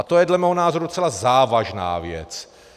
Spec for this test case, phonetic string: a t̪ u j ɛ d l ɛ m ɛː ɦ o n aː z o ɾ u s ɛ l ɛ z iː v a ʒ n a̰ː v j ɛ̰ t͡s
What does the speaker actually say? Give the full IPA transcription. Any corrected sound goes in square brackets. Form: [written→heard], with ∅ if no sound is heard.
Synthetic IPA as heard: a t̪ [u→o] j ɛ d l ɛ m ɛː ɦ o n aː z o ɾ u [s→t͡s] ɛ l [ɛ→a] z [iː→aː] v a ʒ n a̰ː v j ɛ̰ t͡s